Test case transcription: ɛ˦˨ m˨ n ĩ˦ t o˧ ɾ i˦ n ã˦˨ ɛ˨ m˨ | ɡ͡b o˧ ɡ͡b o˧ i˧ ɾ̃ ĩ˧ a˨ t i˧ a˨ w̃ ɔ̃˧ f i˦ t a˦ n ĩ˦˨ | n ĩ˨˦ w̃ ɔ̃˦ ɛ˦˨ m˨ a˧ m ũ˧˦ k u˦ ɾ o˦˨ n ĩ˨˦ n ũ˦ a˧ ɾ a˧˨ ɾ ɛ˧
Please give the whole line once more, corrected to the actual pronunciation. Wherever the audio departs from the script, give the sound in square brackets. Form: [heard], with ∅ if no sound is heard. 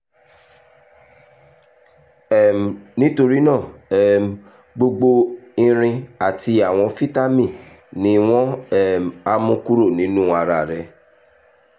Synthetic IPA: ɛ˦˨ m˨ n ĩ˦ t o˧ ɾ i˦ n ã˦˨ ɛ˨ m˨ | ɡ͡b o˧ ɡ͡b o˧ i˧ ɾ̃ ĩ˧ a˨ t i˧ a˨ w̃ ɔ̃˧ f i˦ t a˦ [m] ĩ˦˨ | n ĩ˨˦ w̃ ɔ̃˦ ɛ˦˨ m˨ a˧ m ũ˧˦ k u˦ ɾ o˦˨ n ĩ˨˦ n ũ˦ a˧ ɾ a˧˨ ɾ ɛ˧